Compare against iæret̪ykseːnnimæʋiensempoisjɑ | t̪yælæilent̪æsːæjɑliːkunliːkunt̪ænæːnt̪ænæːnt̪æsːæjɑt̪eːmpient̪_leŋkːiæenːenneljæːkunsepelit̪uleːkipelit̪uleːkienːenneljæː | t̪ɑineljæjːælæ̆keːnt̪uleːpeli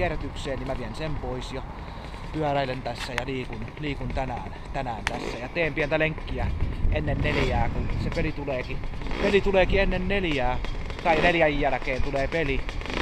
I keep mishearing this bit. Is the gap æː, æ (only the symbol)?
æ